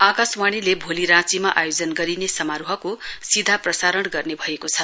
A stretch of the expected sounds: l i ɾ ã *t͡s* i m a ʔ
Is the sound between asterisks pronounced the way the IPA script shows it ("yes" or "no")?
yes